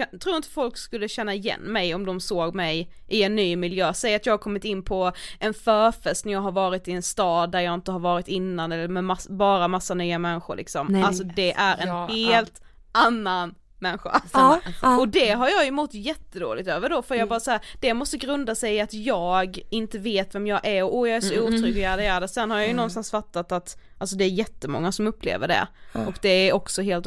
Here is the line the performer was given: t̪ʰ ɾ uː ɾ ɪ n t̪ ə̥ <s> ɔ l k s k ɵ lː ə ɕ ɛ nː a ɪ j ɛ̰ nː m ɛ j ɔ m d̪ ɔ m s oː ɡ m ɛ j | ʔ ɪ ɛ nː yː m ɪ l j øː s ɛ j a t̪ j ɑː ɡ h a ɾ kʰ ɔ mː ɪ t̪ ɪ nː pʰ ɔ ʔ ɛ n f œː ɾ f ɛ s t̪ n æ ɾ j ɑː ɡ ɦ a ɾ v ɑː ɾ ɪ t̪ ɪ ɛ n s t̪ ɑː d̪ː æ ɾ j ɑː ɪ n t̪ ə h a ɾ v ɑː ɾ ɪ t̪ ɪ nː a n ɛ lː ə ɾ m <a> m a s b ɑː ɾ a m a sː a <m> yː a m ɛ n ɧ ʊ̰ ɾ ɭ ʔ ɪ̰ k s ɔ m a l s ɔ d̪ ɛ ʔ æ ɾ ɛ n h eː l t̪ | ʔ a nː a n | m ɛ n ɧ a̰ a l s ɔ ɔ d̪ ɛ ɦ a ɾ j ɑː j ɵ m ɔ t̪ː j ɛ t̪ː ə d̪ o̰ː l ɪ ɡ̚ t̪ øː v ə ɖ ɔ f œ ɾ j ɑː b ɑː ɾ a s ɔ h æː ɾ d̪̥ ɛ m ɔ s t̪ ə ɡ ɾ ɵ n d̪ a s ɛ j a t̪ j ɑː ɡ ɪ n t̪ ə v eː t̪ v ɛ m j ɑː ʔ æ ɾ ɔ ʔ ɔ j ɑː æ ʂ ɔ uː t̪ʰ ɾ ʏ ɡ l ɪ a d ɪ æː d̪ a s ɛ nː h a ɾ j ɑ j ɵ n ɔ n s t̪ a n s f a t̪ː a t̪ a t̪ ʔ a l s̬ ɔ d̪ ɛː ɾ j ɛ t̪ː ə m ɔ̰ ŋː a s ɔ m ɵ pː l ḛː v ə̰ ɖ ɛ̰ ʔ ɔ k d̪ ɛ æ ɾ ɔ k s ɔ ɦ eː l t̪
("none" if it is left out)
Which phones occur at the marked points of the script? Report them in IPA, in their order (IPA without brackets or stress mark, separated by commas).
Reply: f, ɛ, n